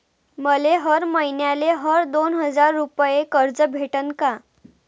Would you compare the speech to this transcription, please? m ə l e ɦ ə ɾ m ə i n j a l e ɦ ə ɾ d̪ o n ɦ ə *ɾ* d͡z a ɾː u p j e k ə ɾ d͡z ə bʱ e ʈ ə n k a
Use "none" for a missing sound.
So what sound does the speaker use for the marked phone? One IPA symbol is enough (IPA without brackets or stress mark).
none